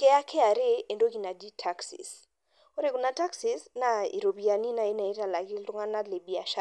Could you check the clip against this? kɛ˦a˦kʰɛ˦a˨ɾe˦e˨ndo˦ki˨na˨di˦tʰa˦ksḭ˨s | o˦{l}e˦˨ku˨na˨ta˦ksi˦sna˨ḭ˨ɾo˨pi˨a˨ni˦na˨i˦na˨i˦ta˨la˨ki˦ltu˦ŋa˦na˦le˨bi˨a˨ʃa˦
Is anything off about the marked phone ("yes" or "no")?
yes